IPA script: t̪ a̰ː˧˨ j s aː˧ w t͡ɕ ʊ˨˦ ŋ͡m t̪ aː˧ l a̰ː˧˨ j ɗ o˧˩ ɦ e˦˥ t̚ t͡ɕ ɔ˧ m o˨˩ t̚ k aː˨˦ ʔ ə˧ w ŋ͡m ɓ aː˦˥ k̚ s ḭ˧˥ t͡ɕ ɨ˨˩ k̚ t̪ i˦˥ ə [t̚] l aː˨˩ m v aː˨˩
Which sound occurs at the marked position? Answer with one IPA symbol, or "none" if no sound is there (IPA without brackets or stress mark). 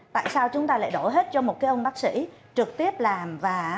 p̚